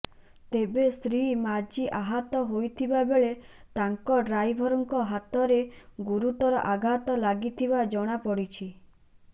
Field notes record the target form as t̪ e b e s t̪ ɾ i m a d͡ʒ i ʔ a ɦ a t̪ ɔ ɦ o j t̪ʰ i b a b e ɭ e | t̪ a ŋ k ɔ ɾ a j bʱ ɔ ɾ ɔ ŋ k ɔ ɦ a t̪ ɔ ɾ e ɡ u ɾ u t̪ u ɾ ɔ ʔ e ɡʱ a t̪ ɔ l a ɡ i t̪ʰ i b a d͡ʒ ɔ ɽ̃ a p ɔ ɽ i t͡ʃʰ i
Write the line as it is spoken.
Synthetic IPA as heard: t̪ e b e s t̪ ɾ i m a d͡ʒ i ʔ a ɦ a t̪ ɔ ɦ o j t̪ʰ i b a b e ɭ e | t̪ a ŋ k ɔ ɾ a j bʱ ɔ ɾ ɔ ŋ k ɔ ɦ a t̪ ɔ ɾ e ɡ u ɾ u t̪ ɔ ɾ ɔ ʔ a ɡʱ a t̪ ɔ l a ɡ i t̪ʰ i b a d͡ʒ ɔ ɽ̃ a p ɔ ɽ i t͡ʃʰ i